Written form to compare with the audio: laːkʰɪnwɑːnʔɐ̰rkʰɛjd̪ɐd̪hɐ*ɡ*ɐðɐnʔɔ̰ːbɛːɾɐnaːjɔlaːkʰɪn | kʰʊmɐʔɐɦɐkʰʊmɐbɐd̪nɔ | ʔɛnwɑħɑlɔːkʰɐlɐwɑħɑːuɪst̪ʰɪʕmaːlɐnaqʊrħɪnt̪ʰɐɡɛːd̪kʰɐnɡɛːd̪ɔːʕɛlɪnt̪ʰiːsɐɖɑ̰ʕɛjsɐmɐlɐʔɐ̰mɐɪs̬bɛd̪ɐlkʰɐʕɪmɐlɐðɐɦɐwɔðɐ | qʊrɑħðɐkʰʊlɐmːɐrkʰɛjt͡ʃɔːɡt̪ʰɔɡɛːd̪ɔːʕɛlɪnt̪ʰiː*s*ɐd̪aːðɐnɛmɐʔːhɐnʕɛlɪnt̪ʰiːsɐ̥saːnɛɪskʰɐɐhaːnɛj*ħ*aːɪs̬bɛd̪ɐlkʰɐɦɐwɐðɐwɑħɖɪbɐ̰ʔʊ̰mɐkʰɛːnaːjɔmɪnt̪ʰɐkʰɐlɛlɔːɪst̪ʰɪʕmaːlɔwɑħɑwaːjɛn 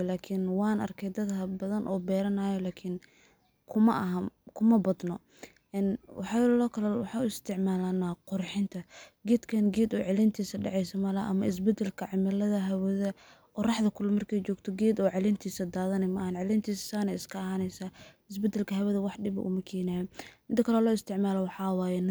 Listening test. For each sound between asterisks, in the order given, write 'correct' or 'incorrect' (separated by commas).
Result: incorrect, correct, incorrect